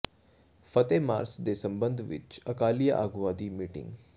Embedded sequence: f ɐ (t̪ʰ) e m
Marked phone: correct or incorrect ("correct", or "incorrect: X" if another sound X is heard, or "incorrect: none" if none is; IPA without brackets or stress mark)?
incorrect: t̪